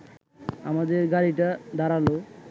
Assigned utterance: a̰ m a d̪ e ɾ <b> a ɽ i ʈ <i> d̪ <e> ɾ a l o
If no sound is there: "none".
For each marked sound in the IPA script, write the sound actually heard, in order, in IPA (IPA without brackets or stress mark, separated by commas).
ɡ, a, a